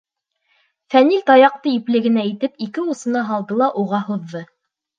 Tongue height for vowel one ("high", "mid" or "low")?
low